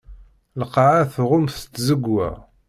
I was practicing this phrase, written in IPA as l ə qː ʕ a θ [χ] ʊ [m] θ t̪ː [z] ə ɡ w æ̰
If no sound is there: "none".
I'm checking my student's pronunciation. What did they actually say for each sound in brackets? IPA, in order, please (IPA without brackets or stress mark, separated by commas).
ʁ, m, z